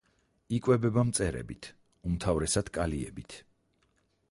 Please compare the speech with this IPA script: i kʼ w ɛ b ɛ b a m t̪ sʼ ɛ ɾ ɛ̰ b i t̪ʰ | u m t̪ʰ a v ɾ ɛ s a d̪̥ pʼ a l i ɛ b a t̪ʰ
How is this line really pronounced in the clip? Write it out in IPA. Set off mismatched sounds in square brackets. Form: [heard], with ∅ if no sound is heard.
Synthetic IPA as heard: i kʼ w ɛ b ɛ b a m t̪ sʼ ɛ ɾ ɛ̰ b i t̪ʰ | u m t̪ʰ a v ɾ ɛ s a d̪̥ [kʼ] a l i ɛ b [i] t̪ʰ